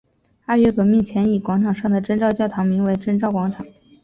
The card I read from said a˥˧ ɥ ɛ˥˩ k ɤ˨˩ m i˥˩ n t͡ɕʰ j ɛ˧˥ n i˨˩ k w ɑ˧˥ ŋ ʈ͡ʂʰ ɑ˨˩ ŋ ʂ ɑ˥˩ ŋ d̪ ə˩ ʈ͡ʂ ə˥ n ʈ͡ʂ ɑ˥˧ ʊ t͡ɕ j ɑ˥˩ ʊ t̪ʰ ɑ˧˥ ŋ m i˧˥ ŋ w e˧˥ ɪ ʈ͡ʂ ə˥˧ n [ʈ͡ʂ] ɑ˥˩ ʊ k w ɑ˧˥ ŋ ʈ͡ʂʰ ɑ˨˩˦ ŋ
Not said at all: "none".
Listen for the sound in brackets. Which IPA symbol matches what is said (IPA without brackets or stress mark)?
ʈ͡ʂ